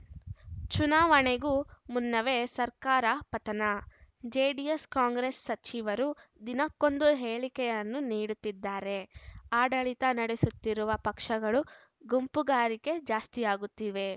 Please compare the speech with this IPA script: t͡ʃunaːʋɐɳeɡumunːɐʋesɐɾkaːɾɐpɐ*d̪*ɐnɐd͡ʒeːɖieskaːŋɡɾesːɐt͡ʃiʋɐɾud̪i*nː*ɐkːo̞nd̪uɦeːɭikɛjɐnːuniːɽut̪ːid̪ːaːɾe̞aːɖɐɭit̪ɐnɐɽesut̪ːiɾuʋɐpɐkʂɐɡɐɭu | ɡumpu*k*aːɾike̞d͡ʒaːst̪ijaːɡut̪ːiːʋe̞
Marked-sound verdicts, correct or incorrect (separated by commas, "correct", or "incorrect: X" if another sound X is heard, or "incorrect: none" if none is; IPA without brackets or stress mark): incorrect: t̪, incorrect: n, incorrect: ɡ